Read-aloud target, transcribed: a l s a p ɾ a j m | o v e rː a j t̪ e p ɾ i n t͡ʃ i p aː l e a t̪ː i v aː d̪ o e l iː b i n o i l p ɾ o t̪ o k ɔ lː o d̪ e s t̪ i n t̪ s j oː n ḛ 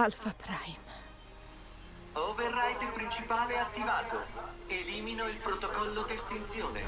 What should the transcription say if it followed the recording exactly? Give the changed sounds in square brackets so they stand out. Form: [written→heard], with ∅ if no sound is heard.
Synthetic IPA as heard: a l [s→f] a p ɾ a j m | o v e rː a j t̪ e p ɾ i n t͡ʃ i p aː l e a t̪ː i v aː [d̪→t̪] o e l iː [b→m] i n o i l p ɾ o t̪ o k ɔ lː o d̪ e s t̪ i n t̪ s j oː n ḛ